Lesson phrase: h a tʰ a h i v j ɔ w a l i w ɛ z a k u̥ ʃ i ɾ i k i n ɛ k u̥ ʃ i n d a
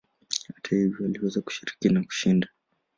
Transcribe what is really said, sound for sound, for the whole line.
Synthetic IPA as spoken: h a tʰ a h i v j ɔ w a l i w ɛ z a k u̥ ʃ i ɾ i k i n a k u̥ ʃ i n d a

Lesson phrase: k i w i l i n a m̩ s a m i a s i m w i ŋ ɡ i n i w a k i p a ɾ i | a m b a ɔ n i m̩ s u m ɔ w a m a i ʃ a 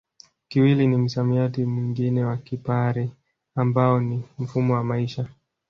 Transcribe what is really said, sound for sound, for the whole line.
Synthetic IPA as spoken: k i w i l i n i m̩ s a m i a t i m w i ŋ ɡ i n ɛ w a k i p a ɾ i | a m b a ɔ n i m̩ f u m ɔ w a m a i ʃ a

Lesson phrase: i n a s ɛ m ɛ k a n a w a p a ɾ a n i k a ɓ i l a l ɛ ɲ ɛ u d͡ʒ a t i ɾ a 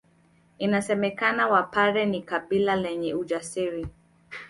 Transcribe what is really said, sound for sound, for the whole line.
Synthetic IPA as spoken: i n a s ɛ m ɛ k a n a w a p a ɾ ɛ n i k a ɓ i l a l ɛ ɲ ɛ u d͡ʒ a s i ɾ i

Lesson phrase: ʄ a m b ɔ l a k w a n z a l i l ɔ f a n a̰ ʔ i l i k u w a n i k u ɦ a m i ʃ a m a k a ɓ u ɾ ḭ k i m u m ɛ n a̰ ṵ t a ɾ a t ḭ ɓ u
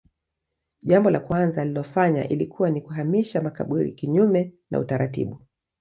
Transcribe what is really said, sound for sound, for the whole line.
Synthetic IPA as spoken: ʄ a m b ɔ l a k w a n z a l i l ɔ f a ɲ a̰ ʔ i l i k u w a n i k u ɦ a m i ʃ a m a k a ɓ u ɾ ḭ k i ɲ u m ɛ n a̰ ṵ t a ɾ a t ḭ ɓ u

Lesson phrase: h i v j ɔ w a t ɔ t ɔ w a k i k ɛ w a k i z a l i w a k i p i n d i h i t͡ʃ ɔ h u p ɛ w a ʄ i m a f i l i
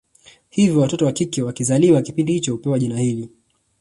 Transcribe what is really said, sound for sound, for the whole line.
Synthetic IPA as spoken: h i v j ɔ w a t ɔ t ɔ w a k i k ɛ w a k i z a l i w a k i p i n d i h i t͡ʃ ɔ h u p ɛ w a ʄ i n a h i l i

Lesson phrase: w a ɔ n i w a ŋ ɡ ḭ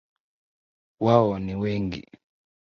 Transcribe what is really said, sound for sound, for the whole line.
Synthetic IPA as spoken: w a ɔ n i w ɛ ŋ ɡ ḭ

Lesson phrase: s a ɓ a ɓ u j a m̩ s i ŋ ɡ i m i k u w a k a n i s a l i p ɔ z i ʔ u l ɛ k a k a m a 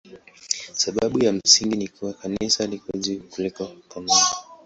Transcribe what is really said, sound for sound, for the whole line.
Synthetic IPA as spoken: s a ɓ a ɓ u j a m̩ s i ŋ ɡ i n i k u w a k a n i s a l i k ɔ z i k u l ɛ k a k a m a

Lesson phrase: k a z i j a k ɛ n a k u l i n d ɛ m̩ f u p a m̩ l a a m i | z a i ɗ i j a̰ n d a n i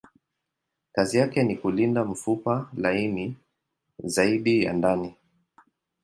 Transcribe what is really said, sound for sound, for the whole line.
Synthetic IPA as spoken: k a z i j a k ɛ n i k u l i n d a m̩ f u p a l a i m i | z a i ɗ i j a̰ n d a n i

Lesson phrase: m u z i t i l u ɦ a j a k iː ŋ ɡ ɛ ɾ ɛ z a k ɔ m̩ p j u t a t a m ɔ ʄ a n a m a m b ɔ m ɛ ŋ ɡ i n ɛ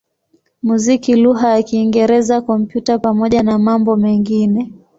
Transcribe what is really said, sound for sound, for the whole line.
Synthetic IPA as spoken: m u z i k i l u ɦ a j a k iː ŋ ɡ ɛ ɾ ɛ z a k ɔ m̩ p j u t a p a m ɔ ʄ a n a m a m b ɔ m ɛ ŋ ɡ i n ɛ

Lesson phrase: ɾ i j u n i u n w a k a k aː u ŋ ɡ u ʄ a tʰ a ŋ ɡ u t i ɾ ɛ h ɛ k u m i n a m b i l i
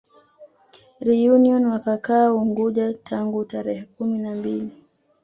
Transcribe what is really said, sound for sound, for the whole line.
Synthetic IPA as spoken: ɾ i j u n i ɔ n w a k a k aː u ŋ ɡ u ʄ a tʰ a ŋ ɡ u t a ɾ ɛ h ɛ k u m i n a m b i l i

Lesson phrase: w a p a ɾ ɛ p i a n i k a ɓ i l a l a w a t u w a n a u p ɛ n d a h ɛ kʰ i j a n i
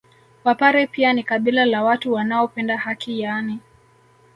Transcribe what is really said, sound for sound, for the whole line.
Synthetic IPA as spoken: w a p a ɾ ɛ p i a n i k a ɓ i l a l a w a t u w a n a ɔ p ɛ n d a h a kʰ i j a n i

